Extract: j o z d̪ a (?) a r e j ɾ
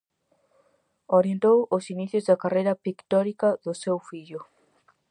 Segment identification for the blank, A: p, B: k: B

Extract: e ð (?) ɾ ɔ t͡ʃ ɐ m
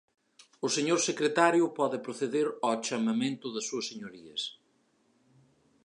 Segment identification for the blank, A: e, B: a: A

